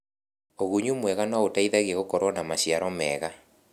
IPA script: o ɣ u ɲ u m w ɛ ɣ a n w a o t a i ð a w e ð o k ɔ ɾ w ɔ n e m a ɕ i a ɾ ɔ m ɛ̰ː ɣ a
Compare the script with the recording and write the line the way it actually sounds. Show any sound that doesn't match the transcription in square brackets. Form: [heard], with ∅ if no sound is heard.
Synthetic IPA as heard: o ɣ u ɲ u m w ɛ ɣ a n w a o t a i ð a [ɣ] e [ɣ] o k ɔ ɾ w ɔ n [a] m a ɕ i a ɾ ɔ m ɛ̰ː ɣ a